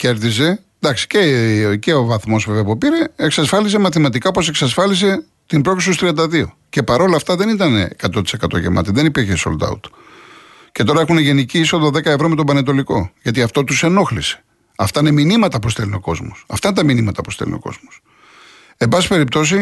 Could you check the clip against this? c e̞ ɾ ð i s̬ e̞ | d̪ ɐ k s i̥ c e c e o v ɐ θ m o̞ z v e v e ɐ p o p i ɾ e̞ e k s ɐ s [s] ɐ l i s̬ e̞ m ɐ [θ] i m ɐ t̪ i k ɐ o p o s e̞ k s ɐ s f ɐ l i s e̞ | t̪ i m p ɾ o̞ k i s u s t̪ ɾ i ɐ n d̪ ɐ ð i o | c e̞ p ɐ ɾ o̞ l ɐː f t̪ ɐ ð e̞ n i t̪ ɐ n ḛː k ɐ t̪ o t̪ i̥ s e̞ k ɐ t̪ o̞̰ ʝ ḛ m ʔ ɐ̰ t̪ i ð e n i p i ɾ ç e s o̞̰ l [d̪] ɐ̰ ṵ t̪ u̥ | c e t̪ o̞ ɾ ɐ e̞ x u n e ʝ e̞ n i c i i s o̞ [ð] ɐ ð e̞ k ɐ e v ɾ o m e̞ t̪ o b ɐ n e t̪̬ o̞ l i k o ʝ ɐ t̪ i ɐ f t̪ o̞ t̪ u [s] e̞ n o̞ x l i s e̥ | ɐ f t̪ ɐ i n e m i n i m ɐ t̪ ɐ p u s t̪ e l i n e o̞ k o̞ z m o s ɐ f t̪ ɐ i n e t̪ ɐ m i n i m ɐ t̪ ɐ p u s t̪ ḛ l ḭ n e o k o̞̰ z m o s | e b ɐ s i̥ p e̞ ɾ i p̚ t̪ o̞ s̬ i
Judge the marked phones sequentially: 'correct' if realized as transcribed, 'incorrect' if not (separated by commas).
incorrect, correct, correct, correct, correct